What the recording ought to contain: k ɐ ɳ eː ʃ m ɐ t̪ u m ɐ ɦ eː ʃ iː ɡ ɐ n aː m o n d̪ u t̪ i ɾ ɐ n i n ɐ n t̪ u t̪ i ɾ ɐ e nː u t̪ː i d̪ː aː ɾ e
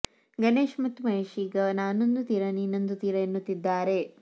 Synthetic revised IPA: ɡ ɐ n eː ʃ m ɐ t̪ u m ɐ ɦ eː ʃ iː ɡ ɐ n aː n o n d̪ u t̪ i ɾ ɐ n i n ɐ n d̪ u t̪ i ɾ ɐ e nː u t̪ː i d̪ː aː ɾ e